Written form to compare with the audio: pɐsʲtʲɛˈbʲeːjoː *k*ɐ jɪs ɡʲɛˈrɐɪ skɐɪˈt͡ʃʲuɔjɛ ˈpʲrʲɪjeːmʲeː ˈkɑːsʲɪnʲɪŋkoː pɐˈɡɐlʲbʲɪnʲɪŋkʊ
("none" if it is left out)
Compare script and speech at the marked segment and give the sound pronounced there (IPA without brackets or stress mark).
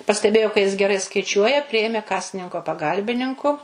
k